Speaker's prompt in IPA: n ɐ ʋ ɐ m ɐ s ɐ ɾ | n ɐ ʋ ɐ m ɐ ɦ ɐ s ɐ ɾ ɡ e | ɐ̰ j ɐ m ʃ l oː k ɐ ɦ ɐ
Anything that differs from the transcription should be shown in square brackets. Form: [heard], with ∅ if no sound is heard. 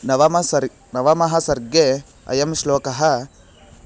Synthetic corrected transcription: n ɐ ʋ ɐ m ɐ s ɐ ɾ | n ɐ ʋ ɐ m ɐ ɦ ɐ s ɐ ɾ ɡ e | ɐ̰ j ɐ m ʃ l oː k ɐ ɦ ɐ